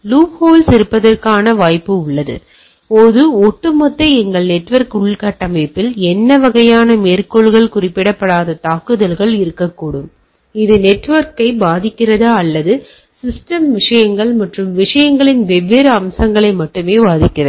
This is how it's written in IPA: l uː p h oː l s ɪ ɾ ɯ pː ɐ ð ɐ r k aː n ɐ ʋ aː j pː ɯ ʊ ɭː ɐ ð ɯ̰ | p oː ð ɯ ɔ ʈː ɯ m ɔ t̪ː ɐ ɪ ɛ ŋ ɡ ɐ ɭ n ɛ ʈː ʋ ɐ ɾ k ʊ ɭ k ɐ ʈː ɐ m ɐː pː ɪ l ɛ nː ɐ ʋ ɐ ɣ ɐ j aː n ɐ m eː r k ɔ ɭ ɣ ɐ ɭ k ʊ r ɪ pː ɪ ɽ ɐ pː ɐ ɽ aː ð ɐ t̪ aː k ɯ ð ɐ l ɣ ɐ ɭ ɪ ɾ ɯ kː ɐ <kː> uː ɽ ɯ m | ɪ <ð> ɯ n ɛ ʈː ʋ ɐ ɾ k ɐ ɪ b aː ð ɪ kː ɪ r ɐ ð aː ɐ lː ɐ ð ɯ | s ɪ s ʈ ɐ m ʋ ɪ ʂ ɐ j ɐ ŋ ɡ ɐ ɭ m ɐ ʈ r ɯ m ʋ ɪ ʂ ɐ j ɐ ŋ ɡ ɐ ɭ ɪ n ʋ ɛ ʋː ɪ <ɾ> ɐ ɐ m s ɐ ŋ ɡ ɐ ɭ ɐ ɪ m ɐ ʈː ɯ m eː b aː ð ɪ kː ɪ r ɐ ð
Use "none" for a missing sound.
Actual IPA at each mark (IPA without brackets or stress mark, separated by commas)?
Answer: kː, ð, ɾ